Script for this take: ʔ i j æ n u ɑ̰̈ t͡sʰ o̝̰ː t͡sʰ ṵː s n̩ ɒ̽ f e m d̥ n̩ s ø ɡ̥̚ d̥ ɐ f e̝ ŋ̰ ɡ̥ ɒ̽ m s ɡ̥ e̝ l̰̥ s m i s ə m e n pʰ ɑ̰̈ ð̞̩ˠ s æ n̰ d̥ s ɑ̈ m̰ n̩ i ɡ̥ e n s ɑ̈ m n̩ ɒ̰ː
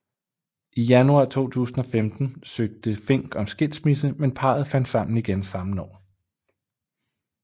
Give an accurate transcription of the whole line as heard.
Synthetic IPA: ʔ i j æ n u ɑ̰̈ t͡sʰ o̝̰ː t͡sʰ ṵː s n̩ ɒ̽ f e m d̥ n̩ s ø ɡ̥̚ d̥ ə f e̝ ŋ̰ ɡ̥ ɒ̽ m s ɡ̥ e̝ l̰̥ s m i s ə m e n pʰ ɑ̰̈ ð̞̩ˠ f æ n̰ d̥ s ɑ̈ m̰ n̩ i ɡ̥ e n s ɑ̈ m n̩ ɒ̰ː